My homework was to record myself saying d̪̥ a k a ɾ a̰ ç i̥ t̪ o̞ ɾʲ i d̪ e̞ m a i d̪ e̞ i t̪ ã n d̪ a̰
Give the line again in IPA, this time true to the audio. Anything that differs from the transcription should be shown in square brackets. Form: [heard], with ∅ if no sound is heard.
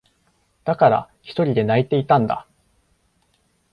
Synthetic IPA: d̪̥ a k a ɾ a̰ ç i̥ t̪ o̞ ɾʲ i d̪ e̞ [n] a i [t̪] e̞ i t̪ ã n d̪ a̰